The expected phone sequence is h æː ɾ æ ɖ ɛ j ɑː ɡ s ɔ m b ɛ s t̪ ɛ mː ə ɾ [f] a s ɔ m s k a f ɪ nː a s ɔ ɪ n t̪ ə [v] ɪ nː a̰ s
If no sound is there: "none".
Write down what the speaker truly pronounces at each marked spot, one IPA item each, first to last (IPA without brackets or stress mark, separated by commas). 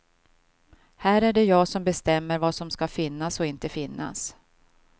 v, f